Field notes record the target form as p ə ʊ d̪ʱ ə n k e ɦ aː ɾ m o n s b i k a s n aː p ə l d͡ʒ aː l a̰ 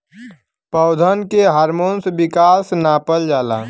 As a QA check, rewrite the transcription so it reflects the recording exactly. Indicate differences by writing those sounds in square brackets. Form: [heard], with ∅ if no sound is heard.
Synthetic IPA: p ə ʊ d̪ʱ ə n k e ɦ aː ɾ m o n s b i k a s n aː p ə l d͡ʒ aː l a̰